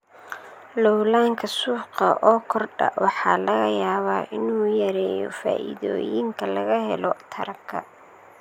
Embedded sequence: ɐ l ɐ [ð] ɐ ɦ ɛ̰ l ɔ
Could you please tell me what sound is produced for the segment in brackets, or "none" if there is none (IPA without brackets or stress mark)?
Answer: ɣ